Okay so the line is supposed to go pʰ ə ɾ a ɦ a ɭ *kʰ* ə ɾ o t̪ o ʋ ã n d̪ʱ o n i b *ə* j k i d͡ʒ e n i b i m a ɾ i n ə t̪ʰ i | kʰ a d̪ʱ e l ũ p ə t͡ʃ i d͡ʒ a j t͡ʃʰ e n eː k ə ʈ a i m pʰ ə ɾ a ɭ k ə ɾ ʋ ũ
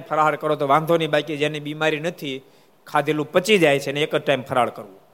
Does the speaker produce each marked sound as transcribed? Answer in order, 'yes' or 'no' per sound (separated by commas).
no, no